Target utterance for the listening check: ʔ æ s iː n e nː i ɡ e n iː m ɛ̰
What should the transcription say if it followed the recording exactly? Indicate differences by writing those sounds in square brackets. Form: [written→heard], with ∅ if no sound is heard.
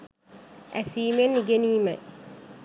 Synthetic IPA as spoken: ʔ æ s iː [n→m] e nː i ɡ e n iː m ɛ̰